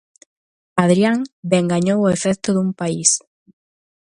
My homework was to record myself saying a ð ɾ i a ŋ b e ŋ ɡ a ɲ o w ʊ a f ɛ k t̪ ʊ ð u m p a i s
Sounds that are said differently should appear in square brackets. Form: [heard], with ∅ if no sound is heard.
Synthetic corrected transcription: a ð ɾ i a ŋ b e ŋ ɡ a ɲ o w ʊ [e] f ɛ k t̪ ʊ ð u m p a i s